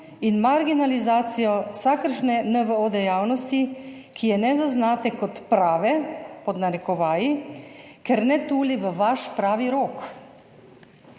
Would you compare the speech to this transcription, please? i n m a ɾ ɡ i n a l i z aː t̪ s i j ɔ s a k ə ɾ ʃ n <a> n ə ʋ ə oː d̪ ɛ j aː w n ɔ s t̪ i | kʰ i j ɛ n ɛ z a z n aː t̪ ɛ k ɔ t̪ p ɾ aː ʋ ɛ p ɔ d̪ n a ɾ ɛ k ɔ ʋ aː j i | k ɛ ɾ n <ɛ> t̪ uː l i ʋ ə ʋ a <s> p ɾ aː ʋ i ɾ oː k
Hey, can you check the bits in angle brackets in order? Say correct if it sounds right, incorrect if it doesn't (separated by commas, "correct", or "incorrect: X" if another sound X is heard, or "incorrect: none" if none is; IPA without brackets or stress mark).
incorrect: ɛ, correct, incorrect: ʃ